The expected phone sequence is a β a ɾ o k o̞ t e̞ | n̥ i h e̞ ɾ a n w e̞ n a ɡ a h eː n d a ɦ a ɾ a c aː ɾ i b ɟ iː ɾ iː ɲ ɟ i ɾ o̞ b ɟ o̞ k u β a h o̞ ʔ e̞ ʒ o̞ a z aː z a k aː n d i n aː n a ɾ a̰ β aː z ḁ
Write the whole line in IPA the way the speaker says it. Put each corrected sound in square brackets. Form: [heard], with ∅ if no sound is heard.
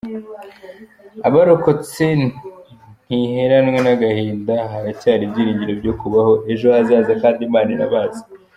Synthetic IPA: a β a ɾ o k o̞ [t͡s] e̞ | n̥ i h e̞ ɾ a n w e̞ n a ɡ a h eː n d a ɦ a ɾ a c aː ɾ i b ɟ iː ɾ iː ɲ ɟ i ɾ o̞ b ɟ o̞ k u β a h o̞ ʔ e̞ ʒ o̞ a z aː z a k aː n d i [m] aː n [i] ɾ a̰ β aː z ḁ